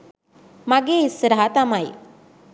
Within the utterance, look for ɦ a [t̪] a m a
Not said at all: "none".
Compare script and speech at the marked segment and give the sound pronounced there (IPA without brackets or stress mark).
t̪